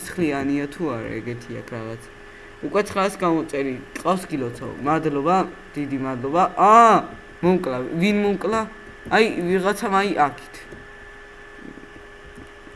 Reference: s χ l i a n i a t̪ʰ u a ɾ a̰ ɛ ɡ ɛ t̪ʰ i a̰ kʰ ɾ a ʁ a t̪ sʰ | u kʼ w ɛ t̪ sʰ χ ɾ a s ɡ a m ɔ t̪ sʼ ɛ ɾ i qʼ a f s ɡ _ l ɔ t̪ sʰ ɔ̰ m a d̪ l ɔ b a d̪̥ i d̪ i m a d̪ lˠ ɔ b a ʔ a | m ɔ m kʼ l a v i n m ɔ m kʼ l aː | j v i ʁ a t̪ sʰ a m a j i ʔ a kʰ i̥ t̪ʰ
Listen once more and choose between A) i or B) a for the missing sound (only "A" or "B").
A